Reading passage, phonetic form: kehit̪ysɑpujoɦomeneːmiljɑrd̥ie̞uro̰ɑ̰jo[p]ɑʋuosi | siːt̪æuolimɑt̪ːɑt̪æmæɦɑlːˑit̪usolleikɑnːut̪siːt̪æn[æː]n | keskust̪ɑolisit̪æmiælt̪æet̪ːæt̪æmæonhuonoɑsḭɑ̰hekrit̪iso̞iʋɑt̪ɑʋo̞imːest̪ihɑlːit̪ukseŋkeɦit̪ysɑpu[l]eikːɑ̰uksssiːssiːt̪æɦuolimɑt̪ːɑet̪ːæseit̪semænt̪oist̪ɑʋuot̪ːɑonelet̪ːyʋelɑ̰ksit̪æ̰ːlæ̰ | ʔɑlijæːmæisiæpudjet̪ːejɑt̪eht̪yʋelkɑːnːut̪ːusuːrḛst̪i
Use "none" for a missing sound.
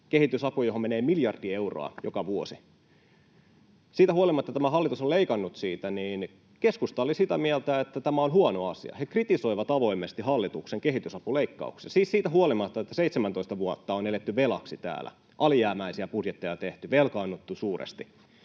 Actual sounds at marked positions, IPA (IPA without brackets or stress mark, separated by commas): k, iː, l